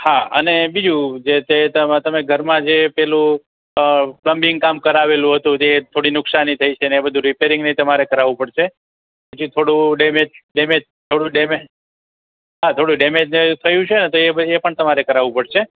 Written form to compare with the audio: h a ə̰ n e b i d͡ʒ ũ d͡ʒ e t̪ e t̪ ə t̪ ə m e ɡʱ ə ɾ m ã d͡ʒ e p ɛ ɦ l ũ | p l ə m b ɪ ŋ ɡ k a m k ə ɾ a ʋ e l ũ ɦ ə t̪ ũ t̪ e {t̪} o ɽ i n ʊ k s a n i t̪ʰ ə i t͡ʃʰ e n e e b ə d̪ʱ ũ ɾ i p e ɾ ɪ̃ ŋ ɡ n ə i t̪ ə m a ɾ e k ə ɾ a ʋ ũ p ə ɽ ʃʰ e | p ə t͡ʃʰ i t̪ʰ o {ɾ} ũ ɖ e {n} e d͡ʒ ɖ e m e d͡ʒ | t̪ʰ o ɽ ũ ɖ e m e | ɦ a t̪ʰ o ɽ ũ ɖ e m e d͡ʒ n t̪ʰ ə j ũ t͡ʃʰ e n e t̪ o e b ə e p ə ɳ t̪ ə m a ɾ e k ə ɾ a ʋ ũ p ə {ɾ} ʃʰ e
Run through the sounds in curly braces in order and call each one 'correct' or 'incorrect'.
incorrect: t̪ʰ, incorrect: ɽ, incorrect: m, incorrect: ɽ

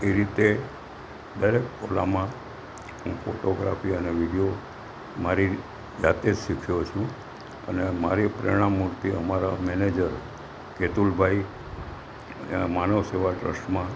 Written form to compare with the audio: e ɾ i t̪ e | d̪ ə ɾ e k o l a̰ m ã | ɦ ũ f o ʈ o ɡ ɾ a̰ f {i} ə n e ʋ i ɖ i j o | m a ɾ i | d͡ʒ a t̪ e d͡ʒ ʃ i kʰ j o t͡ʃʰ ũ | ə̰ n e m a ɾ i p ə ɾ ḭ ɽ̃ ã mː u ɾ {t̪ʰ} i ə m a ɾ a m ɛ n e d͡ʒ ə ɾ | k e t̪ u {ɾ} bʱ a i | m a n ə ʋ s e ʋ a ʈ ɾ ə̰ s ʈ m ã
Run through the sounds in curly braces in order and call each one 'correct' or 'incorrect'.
correct, incorrect: t̪, incorrect: l

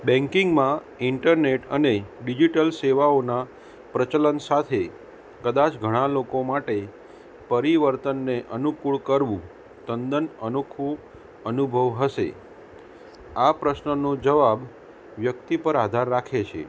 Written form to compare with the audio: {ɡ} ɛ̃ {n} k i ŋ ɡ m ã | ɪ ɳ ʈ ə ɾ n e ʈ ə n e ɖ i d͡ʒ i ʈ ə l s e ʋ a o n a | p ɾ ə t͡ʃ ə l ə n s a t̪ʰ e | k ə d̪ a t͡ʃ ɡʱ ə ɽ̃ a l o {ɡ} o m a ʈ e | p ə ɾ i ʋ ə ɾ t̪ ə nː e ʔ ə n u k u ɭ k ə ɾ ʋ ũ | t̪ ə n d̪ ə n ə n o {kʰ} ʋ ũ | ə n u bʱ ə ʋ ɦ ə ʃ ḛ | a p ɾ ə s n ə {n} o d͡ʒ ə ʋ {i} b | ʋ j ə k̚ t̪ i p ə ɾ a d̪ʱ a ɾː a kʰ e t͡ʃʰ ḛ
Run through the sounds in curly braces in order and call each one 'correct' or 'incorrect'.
incorrect: b, incorrect: ŋ, incorrect: k, correct, correct, incorrect: a

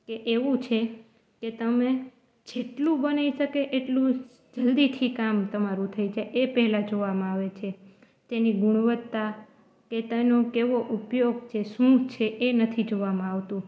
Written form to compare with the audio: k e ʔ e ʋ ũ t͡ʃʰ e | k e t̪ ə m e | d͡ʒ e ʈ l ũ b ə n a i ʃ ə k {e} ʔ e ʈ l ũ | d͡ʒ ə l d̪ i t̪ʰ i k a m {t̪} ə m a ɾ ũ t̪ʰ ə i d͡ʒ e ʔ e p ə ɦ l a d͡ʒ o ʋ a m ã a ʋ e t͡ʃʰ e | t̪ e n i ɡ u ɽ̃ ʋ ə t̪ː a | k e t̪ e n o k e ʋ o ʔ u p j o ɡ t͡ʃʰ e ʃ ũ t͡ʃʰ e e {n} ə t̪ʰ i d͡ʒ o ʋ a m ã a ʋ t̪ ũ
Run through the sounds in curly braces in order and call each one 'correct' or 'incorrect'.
correct, correct, correct

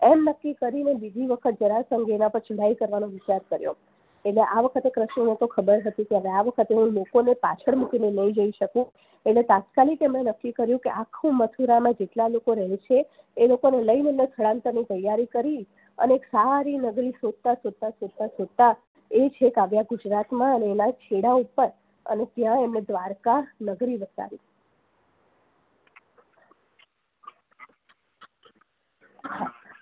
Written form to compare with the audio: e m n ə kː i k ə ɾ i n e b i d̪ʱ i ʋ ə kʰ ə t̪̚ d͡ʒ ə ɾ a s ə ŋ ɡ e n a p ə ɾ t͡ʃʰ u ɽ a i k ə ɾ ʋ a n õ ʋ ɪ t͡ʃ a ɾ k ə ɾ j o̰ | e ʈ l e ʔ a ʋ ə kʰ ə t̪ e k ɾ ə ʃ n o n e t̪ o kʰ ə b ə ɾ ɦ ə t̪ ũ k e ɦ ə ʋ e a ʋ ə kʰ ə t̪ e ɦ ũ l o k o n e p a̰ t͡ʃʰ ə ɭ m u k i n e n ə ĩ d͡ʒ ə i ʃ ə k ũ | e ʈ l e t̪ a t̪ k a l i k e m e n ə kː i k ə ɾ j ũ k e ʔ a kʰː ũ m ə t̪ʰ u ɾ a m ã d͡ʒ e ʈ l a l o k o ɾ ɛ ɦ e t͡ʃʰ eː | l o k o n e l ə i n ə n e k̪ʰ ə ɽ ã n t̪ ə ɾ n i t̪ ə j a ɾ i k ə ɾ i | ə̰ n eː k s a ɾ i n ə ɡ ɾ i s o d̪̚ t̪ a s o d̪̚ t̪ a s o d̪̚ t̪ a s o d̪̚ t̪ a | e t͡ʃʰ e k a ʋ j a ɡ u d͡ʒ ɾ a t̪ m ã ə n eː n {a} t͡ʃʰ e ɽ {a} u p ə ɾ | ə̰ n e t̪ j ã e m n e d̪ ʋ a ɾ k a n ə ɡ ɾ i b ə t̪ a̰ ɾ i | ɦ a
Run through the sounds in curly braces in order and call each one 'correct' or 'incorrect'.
correct, correct

